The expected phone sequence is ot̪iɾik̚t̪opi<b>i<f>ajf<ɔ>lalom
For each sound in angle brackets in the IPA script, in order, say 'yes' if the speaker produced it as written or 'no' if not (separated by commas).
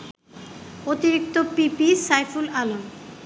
no, no, no